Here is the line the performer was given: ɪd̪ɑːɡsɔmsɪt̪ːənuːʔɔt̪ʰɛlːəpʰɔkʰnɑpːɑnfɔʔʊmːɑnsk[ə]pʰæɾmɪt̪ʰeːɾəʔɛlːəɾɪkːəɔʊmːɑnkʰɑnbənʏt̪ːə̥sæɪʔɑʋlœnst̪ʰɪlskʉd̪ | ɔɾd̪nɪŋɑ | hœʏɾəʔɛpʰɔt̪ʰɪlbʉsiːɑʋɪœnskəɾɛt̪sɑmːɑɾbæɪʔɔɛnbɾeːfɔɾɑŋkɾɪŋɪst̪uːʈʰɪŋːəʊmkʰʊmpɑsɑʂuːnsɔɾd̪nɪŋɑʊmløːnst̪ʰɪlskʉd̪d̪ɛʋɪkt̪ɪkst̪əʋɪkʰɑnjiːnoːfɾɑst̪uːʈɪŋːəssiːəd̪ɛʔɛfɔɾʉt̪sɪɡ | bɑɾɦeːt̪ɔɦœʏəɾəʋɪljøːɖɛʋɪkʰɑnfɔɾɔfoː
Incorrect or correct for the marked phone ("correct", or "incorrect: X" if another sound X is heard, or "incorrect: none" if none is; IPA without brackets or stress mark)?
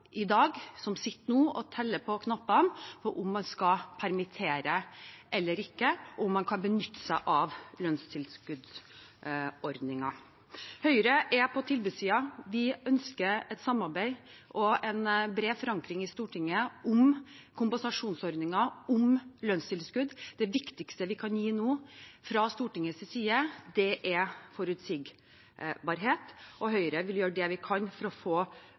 incorrect: ɑ